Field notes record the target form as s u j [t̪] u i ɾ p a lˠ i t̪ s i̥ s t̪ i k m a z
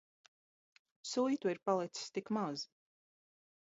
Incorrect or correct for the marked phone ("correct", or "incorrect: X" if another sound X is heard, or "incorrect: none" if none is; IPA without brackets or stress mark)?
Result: correct